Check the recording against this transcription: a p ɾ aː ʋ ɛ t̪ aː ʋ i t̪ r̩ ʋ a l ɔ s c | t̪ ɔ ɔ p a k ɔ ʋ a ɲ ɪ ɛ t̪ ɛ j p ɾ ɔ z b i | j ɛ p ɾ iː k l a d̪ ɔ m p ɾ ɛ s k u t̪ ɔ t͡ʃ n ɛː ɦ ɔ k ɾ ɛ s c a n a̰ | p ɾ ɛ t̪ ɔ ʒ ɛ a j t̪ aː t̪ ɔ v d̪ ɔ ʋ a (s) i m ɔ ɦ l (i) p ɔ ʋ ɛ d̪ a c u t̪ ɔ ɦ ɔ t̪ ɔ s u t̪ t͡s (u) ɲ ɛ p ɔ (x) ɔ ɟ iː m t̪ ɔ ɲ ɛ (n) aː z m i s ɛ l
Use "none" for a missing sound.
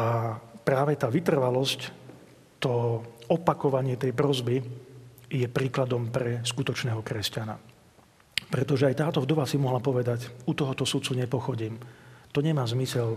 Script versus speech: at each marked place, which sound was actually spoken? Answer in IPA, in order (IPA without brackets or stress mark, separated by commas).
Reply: s, a, u, x, m